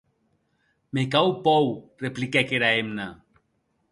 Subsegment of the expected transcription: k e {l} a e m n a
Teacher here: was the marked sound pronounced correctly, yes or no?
no